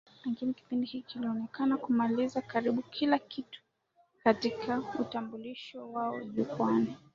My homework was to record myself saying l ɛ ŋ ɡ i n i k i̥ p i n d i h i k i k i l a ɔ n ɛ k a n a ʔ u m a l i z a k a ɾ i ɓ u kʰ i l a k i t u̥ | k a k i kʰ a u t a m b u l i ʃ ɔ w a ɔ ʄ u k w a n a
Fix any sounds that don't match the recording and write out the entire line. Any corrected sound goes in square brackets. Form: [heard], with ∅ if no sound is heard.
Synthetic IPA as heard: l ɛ ŋ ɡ i n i k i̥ p i n d i h i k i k i l [i] ɔ n ɛ k a n a [k] u m a l i z a k a ɾ i ɓ u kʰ i l a k i t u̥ | k a [t] i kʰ a u t a m b u l i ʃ ɔ w a ɔ ʄ u k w a n [i]